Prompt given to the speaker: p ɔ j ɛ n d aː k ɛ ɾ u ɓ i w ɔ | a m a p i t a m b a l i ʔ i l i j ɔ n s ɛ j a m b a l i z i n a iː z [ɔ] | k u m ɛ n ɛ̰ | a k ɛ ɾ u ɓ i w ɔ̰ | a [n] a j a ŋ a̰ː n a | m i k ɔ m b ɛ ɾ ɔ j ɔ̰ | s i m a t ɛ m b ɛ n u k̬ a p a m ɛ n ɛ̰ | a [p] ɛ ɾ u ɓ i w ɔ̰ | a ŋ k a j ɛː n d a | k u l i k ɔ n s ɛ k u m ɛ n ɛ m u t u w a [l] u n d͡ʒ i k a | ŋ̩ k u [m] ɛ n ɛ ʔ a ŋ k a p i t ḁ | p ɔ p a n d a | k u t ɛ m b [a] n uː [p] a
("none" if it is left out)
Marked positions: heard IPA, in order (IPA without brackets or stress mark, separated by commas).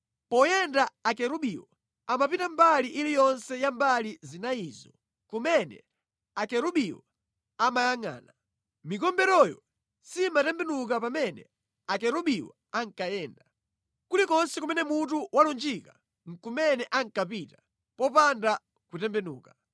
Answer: ɔ, m, k, l, m, ɛ, k